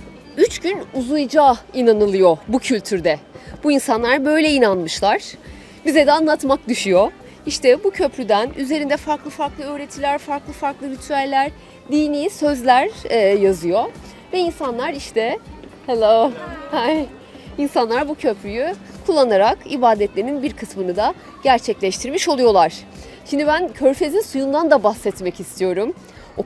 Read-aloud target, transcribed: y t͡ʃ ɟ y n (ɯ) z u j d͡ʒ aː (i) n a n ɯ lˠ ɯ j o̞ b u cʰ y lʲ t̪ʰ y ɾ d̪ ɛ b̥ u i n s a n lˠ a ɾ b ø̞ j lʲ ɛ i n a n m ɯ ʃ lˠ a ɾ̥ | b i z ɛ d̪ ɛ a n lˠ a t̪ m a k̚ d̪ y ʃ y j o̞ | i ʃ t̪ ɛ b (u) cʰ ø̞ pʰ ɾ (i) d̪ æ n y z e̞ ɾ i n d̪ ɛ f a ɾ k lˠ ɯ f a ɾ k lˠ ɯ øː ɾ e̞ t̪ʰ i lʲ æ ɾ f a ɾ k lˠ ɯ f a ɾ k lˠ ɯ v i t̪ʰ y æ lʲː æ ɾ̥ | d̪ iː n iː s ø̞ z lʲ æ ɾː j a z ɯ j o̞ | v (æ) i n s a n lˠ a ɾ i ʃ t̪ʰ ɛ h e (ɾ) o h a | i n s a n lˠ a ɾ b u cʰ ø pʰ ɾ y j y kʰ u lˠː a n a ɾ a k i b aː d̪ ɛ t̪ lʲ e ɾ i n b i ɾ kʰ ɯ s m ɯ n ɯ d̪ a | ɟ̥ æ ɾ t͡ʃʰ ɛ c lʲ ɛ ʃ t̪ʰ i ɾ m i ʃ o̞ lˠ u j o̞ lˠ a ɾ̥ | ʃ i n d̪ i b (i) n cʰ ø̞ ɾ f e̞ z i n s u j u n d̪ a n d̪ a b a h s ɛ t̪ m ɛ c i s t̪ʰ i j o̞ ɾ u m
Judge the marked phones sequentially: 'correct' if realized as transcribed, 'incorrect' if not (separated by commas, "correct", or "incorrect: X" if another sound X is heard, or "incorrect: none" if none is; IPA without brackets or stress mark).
incorrect: u, correct, correct, incorrect: y, incorrect: ɛ, incorrect: l, incorrect: æ